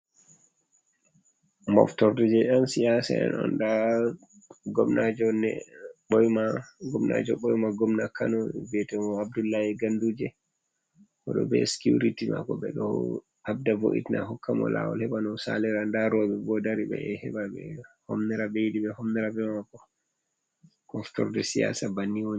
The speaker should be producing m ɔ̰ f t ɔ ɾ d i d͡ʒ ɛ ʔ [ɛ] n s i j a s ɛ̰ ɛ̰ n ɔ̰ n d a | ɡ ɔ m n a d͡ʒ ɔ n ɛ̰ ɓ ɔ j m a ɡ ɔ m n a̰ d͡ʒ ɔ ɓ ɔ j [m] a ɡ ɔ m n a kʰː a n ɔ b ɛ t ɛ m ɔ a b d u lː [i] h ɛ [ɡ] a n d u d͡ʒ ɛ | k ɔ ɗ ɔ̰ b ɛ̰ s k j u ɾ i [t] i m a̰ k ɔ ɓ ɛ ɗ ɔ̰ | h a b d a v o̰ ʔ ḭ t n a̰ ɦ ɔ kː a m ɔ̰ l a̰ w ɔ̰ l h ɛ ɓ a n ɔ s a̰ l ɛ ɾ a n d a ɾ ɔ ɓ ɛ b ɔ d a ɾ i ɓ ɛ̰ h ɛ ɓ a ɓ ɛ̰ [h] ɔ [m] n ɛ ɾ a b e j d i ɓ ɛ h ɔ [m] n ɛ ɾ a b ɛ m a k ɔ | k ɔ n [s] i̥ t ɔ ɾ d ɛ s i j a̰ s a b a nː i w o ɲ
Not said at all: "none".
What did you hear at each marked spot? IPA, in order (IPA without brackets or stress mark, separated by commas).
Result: a, m, a, ɡ, t, h, m, m, f